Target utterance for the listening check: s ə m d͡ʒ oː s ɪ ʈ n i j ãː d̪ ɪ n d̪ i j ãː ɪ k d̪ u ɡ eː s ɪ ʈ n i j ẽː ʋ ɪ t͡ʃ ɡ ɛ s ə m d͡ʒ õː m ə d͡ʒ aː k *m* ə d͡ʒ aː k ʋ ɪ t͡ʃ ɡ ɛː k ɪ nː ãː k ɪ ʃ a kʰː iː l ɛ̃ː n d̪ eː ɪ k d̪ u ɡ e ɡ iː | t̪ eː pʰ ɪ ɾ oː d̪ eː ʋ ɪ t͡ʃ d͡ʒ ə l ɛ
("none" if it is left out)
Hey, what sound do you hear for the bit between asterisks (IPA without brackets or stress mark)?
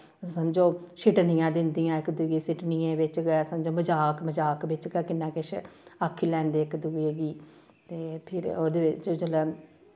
m